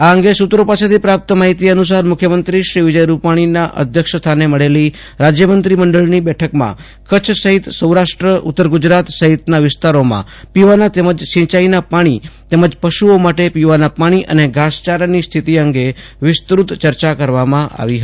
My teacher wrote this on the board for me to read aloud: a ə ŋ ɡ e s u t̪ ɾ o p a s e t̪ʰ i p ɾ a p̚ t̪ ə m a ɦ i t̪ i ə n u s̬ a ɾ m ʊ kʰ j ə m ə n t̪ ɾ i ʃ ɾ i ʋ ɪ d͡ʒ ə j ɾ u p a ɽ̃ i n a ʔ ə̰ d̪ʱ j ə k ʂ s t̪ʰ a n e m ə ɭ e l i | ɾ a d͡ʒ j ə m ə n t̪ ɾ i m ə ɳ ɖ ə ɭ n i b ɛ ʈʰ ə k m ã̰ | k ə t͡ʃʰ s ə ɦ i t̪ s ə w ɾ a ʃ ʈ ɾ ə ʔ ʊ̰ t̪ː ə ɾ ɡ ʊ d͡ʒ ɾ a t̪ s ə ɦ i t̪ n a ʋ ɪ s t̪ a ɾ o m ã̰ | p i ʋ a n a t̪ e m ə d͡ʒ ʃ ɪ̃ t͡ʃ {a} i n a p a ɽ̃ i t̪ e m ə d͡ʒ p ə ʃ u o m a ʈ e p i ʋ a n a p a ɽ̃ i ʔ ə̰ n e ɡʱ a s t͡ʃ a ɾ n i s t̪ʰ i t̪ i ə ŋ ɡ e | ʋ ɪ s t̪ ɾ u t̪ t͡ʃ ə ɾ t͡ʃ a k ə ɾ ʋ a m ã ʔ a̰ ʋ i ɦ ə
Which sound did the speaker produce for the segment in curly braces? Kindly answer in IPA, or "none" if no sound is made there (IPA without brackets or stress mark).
a